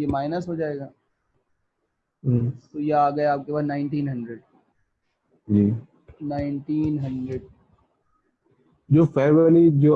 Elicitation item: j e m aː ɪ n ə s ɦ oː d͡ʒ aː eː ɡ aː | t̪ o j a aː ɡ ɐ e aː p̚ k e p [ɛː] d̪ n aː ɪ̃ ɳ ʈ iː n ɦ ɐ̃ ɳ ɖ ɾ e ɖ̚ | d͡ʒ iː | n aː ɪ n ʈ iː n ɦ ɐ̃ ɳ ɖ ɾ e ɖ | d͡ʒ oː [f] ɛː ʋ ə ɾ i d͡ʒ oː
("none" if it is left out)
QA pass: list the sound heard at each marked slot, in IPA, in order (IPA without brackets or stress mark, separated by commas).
aː, f